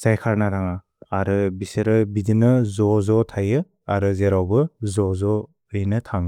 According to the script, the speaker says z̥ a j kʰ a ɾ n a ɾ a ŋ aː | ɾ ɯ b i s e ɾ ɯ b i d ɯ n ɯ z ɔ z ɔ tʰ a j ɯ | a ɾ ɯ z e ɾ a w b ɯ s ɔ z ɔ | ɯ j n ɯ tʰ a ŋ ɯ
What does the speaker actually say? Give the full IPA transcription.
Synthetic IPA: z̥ a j kʰ a ɾ n a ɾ a ŋ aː | ɾ ɯ b i s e ɾ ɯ b i d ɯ n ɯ z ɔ z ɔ tʰ a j ɯ | a ɾ ɯ z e ɾ a w b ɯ z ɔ z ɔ | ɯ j n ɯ tʰ a ŋ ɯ